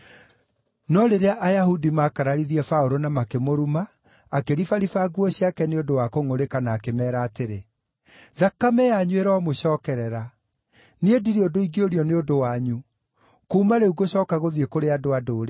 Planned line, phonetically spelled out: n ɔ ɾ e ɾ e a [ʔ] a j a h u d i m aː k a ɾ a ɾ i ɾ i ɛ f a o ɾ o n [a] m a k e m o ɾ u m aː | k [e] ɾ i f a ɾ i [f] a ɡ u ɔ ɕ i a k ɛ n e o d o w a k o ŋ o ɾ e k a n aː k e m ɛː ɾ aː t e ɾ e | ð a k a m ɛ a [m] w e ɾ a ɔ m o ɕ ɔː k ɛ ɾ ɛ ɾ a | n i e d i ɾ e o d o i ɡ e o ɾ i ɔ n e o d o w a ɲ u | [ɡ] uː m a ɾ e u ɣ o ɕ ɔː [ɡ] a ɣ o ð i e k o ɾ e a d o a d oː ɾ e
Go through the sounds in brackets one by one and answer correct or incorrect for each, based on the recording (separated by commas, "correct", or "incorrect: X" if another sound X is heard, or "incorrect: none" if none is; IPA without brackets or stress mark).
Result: correct, correct, correct, correct, incorrect: ɲ, incorrect: k, incorrect: k